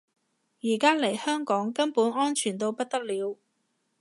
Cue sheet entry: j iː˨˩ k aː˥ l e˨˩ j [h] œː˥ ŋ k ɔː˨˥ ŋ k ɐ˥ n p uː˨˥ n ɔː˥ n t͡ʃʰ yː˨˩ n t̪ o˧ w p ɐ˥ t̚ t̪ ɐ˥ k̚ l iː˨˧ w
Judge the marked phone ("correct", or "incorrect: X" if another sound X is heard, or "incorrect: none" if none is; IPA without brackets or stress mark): correct